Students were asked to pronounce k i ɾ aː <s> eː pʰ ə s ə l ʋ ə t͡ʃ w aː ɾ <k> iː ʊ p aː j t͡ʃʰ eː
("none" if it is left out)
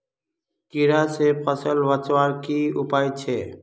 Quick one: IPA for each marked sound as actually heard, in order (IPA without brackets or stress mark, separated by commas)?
s, k